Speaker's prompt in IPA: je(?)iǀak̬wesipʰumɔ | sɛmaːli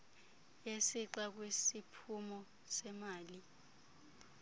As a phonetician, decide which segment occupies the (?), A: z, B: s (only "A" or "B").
B